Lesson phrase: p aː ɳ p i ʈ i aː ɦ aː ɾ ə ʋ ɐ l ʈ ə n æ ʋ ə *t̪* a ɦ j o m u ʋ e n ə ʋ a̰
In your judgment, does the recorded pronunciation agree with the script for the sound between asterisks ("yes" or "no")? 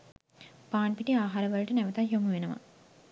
yes